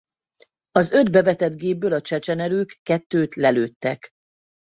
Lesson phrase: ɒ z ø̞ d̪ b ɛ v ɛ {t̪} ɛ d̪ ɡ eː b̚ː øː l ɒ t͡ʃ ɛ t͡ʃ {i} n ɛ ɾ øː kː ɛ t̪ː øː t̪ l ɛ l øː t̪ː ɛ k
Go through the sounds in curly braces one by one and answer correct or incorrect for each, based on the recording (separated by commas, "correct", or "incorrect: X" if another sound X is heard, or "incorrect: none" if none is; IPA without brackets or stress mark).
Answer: correct, incorrect: ɛ